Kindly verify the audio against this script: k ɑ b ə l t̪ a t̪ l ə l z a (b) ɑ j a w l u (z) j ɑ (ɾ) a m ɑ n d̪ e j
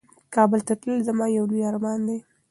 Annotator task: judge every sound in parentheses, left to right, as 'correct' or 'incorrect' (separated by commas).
incorrect, incorrect, correct